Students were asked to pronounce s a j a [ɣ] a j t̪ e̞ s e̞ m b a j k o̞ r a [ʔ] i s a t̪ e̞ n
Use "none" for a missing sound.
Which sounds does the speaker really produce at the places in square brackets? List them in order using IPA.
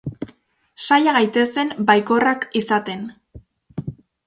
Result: ɣ, k

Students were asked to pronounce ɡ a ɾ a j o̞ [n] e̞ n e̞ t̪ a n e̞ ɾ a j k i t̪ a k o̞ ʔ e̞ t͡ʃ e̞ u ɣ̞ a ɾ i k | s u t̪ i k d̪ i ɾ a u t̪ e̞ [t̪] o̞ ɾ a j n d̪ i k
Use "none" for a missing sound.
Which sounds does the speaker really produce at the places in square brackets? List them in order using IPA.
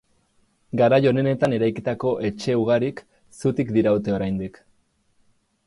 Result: n, none

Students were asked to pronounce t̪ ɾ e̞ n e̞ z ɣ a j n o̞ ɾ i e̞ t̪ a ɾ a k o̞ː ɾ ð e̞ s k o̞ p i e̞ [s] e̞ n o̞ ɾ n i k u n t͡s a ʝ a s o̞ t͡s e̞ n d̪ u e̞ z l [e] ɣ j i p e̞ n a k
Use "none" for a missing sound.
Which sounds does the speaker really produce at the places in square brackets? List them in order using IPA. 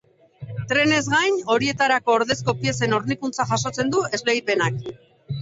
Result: s, e

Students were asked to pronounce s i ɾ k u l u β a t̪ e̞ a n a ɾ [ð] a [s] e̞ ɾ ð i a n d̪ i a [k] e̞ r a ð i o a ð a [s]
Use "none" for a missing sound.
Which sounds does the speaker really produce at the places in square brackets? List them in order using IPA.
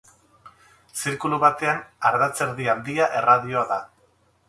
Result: ð, t͡s, ʔ, none

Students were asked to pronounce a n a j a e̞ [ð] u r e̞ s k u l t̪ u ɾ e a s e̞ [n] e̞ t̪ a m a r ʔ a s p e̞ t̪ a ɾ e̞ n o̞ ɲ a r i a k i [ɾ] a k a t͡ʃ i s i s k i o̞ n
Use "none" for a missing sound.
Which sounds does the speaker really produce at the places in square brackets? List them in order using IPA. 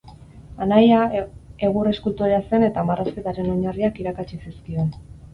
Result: ɣ, n, ɾ

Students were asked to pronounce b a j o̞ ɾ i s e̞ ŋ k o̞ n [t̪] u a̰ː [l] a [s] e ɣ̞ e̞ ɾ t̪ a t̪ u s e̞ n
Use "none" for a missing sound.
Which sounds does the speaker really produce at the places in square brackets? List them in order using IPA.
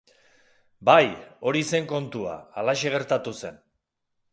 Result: t̪, l, ʃ

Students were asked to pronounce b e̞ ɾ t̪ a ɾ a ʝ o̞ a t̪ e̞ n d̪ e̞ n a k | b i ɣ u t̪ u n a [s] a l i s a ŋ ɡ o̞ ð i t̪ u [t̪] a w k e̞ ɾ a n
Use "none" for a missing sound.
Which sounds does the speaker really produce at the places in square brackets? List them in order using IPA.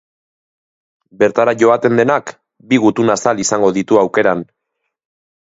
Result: s, none

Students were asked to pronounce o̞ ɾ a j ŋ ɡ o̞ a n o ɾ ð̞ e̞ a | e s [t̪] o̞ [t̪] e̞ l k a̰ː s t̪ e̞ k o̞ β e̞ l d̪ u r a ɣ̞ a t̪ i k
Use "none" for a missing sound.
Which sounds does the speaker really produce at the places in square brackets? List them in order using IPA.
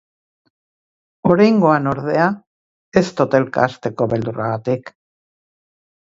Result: t̪, t̪

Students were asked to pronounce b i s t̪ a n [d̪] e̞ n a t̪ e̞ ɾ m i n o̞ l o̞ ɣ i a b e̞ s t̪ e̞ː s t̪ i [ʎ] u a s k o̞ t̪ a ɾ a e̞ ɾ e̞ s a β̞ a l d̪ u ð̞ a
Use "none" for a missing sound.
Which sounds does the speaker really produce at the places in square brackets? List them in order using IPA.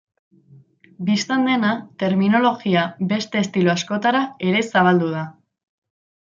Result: d̪, l

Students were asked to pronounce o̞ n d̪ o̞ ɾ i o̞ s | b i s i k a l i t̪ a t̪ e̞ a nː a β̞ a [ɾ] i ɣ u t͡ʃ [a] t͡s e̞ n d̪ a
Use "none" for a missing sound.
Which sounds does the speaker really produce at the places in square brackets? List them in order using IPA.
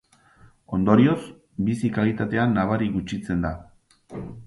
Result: ɾ, i

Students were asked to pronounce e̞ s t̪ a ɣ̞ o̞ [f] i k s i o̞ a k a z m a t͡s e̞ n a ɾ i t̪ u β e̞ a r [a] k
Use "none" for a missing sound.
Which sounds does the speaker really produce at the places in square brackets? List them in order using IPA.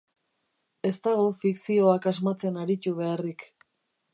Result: f, i

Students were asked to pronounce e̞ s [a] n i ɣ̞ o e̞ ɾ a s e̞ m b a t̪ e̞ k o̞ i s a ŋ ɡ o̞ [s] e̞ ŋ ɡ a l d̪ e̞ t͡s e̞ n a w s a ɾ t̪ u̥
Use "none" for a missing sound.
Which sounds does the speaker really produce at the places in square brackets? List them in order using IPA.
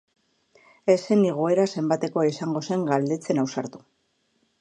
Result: e, s

